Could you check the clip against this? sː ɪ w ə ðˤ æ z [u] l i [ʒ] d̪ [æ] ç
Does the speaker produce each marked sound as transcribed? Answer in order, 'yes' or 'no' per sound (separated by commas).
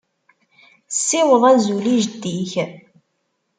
yes, yes, no